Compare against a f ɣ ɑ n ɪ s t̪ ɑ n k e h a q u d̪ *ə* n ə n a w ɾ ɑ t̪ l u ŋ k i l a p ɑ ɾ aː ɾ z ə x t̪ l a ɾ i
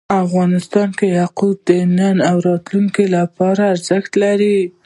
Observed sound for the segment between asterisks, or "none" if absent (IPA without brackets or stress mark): ə